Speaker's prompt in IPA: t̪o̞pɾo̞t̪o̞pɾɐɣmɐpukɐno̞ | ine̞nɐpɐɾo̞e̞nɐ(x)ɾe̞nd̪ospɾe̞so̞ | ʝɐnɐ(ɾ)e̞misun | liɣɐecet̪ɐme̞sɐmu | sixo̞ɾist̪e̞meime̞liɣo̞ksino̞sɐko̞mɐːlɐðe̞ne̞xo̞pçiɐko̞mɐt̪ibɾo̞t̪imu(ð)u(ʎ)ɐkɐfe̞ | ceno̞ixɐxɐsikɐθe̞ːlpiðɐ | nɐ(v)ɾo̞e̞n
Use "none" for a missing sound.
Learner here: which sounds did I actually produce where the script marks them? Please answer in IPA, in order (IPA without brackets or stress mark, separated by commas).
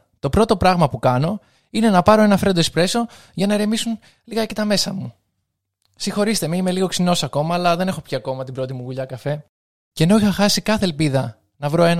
f, ɾ, ɣ, ʎ, v